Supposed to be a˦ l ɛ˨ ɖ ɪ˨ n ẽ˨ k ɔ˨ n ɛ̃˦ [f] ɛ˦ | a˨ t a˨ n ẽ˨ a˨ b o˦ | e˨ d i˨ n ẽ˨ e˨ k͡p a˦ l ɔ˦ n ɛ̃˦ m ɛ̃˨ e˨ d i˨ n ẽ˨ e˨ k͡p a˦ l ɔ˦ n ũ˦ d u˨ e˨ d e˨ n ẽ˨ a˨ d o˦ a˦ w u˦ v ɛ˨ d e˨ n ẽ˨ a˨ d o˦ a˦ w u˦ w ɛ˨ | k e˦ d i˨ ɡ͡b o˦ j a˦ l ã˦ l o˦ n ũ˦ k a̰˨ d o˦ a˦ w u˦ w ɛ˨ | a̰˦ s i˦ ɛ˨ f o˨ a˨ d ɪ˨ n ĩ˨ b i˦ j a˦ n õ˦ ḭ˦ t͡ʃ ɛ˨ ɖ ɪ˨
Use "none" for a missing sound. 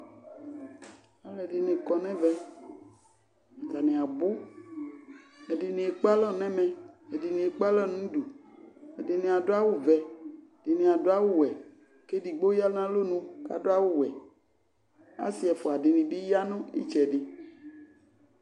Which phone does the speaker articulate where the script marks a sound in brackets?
v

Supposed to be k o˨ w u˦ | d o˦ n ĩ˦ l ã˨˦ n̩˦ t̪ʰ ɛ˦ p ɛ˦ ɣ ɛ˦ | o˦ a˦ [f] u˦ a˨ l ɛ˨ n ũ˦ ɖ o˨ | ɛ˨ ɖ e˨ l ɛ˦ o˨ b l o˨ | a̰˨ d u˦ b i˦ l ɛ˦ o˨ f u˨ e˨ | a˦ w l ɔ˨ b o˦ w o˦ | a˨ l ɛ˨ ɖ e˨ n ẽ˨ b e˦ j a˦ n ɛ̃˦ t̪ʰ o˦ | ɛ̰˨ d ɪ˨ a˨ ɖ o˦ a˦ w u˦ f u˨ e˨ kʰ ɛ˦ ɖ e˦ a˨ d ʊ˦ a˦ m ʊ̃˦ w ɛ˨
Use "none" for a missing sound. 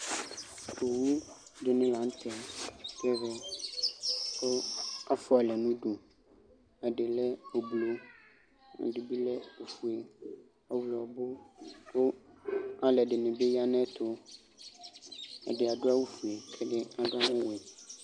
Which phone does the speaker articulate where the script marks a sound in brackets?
f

